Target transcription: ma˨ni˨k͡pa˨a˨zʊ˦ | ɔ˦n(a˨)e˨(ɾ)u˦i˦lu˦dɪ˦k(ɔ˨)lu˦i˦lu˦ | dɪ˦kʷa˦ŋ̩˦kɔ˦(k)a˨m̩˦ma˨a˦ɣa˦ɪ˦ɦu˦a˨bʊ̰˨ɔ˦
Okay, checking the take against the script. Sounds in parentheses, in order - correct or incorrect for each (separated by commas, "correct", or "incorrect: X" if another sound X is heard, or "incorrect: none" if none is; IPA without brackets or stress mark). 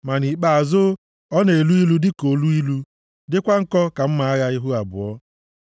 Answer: incorrect: e˨, incorrect: l, incorrect: o˨, correct